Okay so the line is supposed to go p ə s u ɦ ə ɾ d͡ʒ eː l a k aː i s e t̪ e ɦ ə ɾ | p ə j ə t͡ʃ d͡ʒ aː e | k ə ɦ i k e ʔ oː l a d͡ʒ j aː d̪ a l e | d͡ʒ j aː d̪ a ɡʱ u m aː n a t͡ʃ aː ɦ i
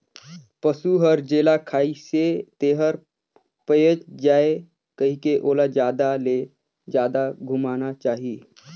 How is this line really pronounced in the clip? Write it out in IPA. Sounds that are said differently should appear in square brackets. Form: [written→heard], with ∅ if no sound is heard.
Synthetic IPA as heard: p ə s u ɦ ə ɾ d͡ʒ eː l a [k→kʰ] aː i s e t̪ e ɦ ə ɾ | p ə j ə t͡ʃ d͡ʒ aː e | k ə ɦ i k e ʔ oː l a d͡ʒ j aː d̪ a l e | d͡ʒ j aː d̪ a ɡʱ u m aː n a t͡ʃ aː ɦ i